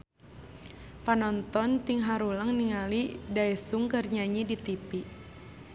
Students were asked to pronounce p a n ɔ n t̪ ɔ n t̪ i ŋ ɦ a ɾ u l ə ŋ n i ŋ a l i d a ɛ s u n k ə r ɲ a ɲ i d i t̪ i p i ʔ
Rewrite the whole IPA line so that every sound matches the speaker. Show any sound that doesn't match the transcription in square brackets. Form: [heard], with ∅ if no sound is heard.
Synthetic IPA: p a n ɔ n t̪ ɔ n t̪ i ŋ ɦ a ɾ u l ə ŋ n i ŋ a l i d a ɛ s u [ŋ] k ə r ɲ a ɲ i d i t̪ i p i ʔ